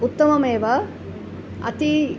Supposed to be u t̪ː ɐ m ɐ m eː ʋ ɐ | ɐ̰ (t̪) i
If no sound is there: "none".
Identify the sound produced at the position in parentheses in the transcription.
t̪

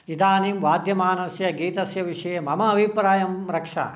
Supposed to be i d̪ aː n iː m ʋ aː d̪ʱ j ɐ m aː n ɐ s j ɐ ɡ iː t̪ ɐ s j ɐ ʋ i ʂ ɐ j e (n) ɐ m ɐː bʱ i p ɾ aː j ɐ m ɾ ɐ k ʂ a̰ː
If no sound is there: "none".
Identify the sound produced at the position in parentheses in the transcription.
m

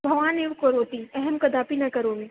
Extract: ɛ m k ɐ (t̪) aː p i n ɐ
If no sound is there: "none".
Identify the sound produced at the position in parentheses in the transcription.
d̪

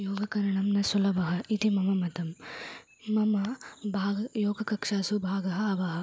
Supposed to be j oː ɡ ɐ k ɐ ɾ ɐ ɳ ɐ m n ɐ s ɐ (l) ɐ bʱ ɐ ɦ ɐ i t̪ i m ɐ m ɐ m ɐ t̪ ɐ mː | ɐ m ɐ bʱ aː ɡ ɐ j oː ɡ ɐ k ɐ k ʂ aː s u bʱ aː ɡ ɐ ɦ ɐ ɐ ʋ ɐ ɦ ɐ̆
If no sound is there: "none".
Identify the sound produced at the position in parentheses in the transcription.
l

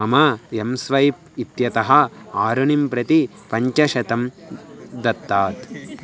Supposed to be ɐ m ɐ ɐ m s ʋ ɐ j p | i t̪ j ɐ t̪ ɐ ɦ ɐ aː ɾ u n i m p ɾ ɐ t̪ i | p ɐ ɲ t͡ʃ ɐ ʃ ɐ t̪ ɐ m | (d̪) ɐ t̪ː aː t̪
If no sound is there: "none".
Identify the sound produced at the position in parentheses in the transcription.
d̪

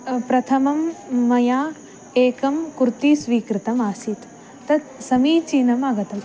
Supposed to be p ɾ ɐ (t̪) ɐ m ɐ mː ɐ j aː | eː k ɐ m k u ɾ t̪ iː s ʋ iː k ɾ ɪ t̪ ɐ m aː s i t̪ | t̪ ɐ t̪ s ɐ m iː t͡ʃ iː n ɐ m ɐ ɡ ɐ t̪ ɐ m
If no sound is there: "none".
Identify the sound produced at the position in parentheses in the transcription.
t̪ʰ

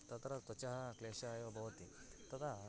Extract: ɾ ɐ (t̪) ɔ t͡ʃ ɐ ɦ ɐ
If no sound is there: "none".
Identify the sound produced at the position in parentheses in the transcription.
t̪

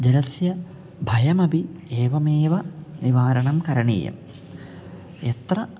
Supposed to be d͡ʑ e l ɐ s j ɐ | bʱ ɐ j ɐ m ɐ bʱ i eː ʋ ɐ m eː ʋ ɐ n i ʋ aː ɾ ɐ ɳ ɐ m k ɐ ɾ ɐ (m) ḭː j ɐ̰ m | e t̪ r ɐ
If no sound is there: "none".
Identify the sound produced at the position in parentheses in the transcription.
ɳ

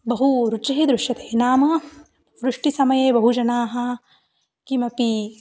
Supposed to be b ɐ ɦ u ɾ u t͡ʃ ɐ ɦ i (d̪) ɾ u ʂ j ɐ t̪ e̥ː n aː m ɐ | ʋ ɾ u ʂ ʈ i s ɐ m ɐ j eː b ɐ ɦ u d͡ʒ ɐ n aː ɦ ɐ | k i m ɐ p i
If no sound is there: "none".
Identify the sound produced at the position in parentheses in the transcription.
d̪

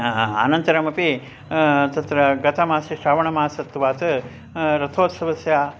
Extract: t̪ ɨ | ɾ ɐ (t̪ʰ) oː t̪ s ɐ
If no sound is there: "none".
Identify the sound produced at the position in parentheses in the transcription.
t̪ʰ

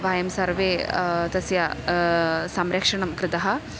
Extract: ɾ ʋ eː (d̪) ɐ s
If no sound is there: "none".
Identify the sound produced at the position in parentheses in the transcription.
t̪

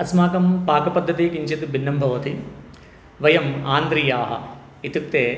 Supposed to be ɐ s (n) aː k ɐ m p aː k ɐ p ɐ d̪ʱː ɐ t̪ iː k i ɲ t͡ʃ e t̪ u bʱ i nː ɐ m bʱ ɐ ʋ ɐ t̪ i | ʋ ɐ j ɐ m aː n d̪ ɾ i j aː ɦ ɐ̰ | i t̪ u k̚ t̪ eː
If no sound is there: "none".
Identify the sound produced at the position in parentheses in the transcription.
m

